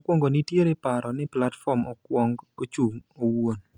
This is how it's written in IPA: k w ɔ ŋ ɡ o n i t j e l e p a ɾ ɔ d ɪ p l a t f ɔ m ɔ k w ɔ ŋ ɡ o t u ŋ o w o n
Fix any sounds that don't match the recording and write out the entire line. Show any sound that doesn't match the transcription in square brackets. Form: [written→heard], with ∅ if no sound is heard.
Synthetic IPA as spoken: k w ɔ ŋ ɡ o n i t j e [l→ɾ] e p a ɾ ɔ [d→n] ɪ p l a t f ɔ m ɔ k w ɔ ŋ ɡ o [t→t͡ʃ] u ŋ o w o n